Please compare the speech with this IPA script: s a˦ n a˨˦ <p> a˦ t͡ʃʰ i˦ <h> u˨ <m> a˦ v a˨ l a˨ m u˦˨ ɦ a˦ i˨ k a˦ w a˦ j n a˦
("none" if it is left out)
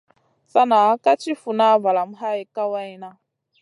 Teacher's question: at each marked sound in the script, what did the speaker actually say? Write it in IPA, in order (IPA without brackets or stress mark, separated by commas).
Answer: k, f, n